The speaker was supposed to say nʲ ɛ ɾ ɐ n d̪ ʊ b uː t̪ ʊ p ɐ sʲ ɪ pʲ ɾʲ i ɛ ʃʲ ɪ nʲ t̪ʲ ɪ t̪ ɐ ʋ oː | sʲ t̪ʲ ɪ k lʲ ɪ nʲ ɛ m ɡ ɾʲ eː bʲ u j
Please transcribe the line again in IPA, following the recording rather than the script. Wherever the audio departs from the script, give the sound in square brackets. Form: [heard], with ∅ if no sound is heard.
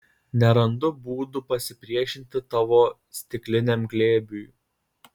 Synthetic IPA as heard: nʲ ɛ ɾ ɐ n d̪ ʊ b uː [d̪] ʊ p ɐ sʲ ɪ pʲ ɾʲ i ɛ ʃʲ ɪ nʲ t̪ʲ ɪ t̪ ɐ ʋ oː | sʲ t̪ʲ ɪ k lʲ ɪ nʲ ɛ m ɡ [lʲ] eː bʲ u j